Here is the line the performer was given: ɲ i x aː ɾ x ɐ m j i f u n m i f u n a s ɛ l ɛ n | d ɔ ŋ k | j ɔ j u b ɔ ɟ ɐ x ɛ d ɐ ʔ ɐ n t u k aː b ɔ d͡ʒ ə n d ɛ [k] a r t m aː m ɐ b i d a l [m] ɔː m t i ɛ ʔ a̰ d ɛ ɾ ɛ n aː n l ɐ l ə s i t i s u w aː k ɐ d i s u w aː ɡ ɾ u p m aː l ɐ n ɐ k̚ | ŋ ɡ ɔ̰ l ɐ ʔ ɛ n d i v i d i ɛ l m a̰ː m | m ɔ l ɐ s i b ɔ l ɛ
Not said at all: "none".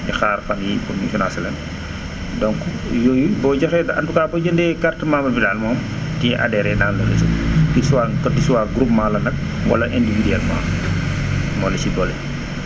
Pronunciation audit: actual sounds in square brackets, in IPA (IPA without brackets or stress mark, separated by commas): k, m